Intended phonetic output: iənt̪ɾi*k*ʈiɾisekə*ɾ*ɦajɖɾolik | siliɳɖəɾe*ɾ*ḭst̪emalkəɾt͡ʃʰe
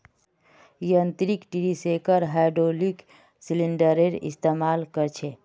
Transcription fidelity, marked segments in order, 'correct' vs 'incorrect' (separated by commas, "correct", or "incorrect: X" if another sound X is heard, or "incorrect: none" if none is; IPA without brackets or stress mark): correct, correct, correct